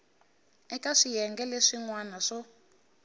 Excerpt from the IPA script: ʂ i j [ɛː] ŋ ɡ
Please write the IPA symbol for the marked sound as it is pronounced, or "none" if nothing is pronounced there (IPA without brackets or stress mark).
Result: ɛ